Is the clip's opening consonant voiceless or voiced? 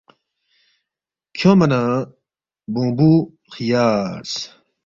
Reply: voiceless